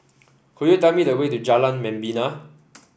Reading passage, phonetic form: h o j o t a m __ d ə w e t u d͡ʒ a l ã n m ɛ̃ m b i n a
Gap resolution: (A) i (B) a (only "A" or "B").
A